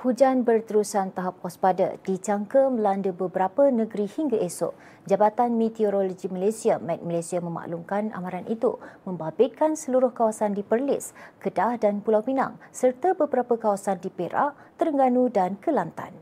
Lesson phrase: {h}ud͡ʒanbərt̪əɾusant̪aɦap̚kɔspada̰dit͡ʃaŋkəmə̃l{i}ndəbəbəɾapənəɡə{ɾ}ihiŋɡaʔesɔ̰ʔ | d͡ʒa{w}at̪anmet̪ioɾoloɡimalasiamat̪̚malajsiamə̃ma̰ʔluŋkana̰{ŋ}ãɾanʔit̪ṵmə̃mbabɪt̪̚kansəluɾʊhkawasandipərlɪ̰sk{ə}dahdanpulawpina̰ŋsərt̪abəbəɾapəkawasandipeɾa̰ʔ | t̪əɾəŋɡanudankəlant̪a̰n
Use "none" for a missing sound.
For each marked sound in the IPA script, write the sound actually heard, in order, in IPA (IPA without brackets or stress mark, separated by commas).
h, a, ɾ, b, m, ə